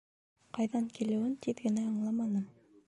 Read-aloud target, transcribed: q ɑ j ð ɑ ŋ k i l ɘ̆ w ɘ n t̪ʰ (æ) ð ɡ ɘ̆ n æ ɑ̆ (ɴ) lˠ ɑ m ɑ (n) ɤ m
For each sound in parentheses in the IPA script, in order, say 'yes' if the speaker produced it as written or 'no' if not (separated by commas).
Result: no, yes, yes